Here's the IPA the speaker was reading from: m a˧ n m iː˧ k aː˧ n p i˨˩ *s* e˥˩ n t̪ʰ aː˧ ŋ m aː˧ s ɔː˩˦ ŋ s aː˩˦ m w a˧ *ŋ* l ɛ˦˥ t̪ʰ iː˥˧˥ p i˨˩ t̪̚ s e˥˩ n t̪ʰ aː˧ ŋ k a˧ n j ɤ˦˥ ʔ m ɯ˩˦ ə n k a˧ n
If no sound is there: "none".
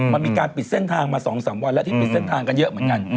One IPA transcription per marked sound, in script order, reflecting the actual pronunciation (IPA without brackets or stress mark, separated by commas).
s, n